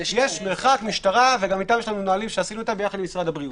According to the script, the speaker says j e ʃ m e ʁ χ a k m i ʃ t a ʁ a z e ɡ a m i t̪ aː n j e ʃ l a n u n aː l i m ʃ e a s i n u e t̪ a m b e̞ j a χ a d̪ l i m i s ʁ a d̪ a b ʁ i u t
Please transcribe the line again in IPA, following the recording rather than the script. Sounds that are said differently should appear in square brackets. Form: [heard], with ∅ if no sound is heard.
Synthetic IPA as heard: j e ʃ m e ʁ χ a k m i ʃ t a ʁ a [v] e ɡ a m i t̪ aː [m] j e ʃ l a n u n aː l i m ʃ e a s i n u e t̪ a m b e̞ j a χ a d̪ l i m i s ʁ a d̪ a b ʁ i u t